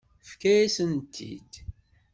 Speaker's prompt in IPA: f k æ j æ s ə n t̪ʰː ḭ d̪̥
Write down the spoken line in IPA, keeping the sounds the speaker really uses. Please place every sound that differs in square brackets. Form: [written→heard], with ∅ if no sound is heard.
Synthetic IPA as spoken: f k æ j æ s ə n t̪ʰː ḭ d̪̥